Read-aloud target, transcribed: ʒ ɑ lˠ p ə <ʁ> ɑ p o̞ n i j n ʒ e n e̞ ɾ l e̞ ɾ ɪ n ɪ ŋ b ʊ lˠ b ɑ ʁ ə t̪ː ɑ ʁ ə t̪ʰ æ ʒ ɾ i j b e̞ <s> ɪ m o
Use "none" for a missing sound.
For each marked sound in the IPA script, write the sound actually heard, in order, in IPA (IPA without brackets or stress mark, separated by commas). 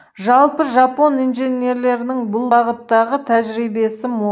ʒ, s